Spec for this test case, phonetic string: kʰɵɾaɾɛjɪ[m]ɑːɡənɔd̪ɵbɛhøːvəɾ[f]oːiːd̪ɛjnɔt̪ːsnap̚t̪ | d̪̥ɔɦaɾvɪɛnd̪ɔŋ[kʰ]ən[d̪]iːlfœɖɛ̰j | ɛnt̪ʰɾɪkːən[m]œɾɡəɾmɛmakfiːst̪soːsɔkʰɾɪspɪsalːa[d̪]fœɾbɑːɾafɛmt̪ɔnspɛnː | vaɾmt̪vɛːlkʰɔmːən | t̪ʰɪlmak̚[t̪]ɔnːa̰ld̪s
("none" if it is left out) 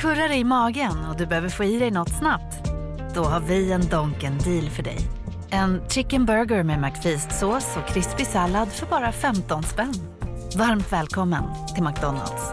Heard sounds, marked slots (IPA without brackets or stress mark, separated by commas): m, f, k, d̪, b, d̪, d̪